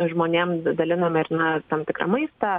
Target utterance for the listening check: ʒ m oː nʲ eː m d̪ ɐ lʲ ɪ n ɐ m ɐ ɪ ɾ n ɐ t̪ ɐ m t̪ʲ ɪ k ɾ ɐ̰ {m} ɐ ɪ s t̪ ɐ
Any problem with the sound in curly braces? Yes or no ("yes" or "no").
no